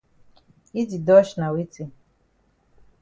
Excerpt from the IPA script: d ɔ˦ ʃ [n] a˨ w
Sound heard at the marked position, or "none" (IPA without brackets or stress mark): n